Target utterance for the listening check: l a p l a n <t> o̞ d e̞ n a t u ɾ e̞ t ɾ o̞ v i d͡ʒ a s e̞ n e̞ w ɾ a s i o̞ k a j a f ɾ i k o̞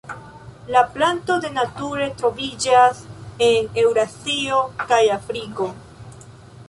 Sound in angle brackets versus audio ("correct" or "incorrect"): correct